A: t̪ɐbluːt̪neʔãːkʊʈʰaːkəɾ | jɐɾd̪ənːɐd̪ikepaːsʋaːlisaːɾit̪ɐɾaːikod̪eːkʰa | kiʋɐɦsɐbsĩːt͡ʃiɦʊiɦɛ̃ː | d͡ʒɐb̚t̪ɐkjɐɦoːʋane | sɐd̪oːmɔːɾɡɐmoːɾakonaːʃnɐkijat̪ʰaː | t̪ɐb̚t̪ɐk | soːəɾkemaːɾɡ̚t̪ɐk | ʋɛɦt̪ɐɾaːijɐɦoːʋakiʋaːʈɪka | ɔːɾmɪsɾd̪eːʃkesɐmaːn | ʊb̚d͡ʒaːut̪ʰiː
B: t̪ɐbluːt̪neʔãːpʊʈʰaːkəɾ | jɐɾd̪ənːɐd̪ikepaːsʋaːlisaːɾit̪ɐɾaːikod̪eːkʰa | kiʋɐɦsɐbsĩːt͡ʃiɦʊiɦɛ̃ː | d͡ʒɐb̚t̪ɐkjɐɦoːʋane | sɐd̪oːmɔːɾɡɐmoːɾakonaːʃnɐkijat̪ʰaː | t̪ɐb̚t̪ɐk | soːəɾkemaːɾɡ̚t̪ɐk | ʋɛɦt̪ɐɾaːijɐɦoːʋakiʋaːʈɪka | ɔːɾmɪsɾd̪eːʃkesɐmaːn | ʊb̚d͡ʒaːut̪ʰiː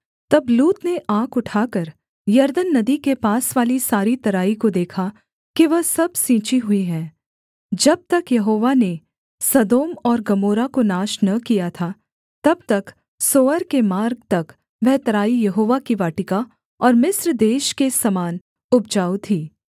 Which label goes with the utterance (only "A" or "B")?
A